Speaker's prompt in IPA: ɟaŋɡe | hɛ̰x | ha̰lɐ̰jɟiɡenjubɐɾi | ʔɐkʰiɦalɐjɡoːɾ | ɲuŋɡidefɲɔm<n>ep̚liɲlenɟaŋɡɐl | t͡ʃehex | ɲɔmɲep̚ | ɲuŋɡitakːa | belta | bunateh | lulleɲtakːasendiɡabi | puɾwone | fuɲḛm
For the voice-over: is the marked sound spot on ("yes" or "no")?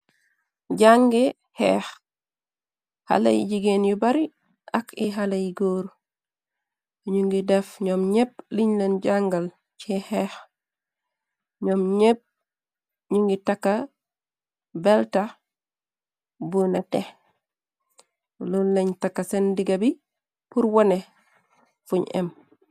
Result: no